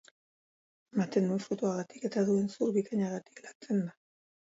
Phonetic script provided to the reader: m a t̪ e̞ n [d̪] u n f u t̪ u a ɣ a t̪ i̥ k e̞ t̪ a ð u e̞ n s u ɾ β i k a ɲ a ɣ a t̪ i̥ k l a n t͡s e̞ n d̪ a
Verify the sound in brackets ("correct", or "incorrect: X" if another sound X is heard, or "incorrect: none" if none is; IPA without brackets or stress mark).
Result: correct